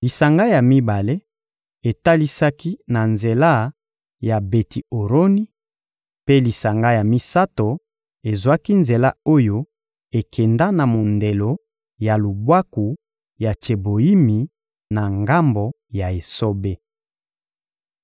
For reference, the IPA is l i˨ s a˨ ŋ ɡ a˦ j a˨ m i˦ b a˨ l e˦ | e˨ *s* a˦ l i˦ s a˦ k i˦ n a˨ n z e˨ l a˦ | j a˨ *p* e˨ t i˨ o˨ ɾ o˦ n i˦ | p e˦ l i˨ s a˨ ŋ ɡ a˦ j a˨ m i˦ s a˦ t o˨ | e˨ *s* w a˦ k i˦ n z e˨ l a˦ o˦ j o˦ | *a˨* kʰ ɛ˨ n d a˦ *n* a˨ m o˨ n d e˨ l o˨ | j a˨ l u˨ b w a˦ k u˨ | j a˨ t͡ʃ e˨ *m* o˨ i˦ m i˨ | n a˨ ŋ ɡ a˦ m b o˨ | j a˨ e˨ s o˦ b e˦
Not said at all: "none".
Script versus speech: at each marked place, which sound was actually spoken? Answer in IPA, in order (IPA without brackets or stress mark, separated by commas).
t, b, z, e˨, n, b